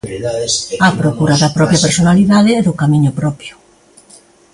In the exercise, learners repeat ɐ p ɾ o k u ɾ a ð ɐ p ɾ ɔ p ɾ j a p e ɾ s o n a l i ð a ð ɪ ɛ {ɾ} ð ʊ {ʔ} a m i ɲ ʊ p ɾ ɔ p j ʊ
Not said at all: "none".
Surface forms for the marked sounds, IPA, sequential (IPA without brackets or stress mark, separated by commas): none, k